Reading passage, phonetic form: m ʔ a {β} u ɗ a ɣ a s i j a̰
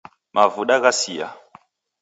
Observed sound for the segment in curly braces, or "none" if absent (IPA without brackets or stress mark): v